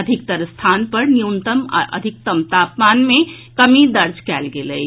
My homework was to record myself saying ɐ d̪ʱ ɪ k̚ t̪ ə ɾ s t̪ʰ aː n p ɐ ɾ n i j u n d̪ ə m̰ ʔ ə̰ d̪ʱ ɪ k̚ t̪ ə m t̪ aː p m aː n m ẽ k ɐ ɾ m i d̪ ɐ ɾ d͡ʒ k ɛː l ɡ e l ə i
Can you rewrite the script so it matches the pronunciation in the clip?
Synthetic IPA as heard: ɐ d̪ʱ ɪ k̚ t̪ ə ɾ s t̪ʰ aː n p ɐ ɾ n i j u n t̪ ə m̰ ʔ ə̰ d̪ʱ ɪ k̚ t̪ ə m t̪ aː p m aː n m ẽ k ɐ m i d̪ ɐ ɾ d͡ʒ k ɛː l ɡ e l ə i